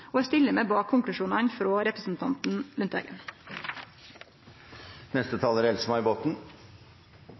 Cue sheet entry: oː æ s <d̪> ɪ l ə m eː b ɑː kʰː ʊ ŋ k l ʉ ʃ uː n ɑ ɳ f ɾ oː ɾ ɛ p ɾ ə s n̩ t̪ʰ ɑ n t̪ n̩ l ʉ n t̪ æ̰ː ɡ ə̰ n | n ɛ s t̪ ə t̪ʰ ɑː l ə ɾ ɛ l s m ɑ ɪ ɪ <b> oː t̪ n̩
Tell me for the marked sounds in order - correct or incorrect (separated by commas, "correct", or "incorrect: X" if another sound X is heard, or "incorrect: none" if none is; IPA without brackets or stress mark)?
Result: incorrect: t̪, correct